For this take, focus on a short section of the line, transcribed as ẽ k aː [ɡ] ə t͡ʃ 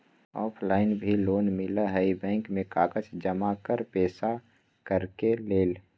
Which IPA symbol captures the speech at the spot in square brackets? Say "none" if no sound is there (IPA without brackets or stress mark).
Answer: k